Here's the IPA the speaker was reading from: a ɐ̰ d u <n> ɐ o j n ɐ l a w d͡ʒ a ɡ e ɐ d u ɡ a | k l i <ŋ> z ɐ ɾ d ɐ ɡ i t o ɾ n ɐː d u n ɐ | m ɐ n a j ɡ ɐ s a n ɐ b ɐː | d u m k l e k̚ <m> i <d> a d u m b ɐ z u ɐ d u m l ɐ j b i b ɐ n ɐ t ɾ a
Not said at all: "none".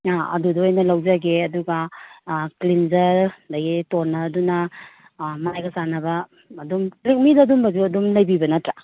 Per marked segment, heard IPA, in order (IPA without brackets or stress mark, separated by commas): d, n, m, d